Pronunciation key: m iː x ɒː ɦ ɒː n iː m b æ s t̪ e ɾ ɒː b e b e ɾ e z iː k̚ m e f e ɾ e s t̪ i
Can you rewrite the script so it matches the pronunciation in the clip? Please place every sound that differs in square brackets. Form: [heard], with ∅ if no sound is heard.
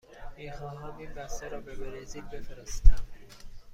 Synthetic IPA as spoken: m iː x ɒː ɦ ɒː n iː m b æ s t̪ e ɾ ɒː b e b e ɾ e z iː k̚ [b] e f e ɾ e s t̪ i